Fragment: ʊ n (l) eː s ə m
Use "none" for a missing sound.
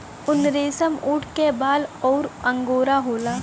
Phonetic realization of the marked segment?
ɾ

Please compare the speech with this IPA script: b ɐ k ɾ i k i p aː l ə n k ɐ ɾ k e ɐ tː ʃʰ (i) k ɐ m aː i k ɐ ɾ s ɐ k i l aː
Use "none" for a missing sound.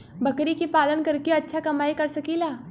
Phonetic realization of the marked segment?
a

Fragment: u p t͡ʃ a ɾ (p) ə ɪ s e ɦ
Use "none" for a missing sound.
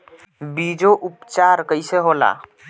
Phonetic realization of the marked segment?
k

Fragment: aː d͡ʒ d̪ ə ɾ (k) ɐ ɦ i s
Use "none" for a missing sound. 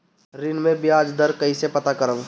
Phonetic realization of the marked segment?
k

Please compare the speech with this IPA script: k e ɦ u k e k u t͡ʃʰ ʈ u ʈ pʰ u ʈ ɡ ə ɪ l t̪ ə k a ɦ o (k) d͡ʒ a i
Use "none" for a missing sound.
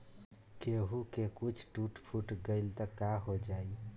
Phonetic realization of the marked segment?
none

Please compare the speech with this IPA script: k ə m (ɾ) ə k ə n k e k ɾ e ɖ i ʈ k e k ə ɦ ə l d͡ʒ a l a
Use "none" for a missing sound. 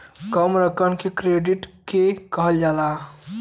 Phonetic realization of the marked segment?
ɾ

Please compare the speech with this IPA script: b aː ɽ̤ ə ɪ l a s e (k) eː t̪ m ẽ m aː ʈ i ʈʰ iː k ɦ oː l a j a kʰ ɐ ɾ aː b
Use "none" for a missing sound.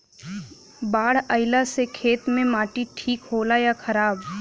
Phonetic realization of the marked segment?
kʰ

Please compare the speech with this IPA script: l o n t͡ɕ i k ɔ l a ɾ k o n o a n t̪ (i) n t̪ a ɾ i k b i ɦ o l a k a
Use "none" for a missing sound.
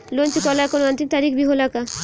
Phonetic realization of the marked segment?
i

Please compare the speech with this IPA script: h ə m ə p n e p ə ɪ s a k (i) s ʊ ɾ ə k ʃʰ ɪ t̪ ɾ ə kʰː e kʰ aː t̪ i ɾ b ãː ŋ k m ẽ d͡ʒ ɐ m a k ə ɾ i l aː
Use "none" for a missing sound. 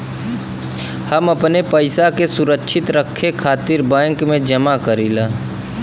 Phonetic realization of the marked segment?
e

